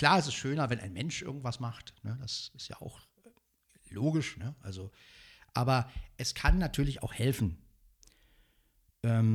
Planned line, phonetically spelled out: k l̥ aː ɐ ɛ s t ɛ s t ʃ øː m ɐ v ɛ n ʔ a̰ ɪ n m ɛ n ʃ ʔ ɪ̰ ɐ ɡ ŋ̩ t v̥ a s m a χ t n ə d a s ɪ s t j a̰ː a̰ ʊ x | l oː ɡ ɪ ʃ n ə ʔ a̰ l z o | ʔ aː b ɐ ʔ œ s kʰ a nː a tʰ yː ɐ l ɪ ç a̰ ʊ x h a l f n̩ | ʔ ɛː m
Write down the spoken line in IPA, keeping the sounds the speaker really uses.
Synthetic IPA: k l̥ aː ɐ ɛ s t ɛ s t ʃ øː n ɐ v ɛ n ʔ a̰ ɪ n m ɛ n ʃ ʔ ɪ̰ ɐ ɡ ŋ̩ t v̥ a s m a χ t n ə d a s ɪ s t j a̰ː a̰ ʊ x | l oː ɡ ɪ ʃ n ə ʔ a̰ l z o | ʔ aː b ɐ ʔ ɛ s kʰ a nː a tʰ yː ɐ l ɪ ç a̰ ʊ x h ɛ l f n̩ | ʔ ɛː m